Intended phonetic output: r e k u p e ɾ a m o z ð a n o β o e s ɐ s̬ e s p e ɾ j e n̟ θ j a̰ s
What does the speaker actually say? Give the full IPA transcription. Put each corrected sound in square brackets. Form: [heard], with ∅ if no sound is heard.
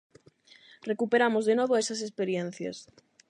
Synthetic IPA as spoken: r e k u p e ɾ a m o z ð [e] n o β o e s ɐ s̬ e s p e ɾ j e n̟ θ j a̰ s